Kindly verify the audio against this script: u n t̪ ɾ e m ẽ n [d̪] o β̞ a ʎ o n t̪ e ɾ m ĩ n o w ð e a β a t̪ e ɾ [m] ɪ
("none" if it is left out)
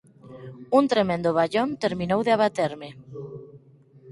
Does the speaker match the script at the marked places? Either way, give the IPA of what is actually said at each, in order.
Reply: d̪, m

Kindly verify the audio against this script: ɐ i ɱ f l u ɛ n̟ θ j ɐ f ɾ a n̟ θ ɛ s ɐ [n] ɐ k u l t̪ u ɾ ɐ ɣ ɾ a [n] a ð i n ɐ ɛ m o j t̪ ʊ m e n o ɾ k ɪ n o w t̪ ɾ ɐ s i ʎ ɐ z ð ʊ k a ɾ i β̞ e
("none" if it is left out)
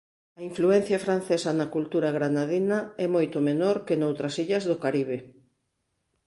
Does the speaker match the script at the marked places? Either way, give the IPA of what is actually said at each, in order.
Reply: n, n

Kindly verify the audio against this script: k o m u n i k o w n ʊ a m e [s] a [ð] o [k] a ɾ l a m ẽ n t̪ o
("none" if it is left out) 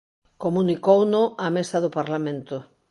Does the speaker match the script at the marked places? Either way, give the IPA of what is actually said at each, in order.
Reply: s, ð, p

